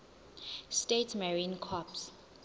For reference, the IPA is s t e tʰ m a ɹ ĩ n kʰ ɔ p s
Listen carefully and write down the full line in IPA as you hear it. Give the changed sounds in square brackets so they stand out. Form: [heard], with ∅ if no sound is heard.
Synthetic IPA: s t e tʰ m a ɹ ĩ n kʰ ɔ p s